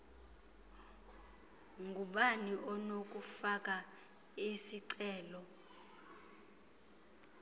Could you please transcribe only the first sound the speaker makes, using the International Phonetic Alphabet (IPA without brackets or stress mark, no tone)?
ŋ